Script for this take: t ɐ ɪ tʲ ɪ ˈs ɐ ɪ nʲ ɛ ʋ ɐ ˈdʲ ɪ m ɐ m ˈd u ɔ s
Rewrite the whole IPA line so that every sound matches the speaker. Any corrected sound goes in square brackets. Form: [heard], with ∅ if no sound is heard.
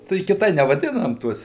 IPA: t ɐ ɪ [kʲ] ɪ [ˈt] ɐ ɪ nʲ ɛ ʋ ɐ ˈdʲ ɪ [n] ɐ m [ˈt] u ɔ s